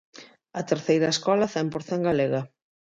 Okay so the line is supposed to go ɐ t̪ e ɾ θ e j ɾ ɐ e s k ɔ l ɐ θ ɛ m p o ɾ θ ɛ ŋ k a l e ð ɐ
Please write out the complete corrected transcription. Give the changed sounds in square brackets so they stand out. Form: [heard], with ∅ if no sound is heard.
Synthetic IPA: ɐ t̪ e ɾ θ e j ɾ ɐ e s k ɔ l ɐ θ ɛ m p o ɾ θ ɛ ŋ [ɡ] a l e [ɣ] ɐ